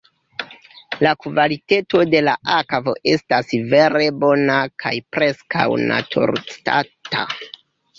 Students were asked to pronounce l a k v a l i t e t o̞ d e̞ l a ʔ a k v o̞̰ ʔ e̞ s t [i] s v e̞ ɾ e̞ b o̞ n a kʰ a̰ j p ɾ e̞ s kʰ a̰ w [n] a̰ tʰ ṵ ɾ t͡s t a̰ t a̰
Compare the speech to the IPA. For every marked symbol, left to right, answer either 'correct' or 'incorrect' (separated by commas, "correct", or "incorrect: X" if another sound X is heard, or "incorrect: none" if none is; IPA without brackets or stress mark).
incorrect: a, correct